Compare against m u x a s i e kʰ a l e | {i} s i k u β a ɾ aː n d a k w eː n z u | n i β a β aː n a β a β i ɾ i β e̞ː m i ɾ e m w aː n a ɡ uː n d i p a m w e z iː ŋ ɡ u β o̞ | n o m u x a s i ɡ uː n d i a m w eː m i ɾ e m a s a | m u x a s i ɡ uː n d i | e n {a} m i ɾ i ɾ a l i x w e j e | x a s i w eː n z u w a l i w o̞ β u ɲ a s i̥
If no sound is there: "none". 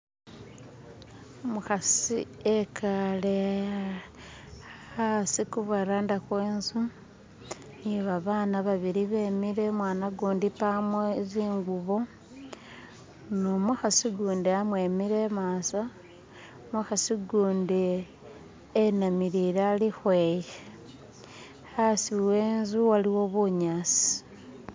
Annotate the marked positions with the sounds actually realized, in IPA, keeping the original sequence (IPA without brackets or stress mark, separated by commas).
a, a